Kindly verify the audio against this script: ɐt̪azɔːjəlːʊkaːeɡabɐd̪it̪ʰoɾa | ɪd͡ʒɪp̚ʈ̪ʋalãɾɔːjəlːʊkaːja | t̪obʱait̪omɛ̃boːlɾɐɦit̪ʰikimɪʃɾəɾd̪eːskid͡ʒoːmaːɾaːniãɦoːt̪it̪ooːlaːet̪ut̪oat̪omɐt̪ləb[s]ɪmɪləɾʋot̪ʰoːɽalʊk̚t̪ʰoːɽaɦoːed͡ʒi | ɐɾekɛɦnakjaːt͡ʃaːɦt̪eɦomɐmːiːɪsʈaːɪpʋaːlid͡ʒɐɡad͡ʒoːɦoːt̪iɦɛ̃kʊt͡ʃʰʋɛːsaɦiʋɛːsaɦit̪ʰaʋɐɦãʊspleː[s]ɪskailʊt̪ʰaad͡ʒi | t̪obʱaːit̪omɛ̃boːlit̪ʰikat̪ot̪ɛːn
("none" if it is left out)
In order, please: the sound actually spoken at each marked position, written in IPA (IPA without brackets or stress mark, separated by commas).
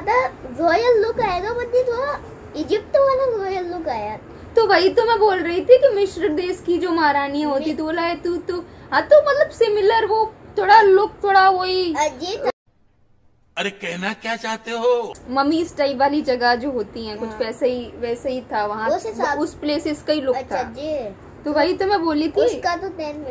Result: s, s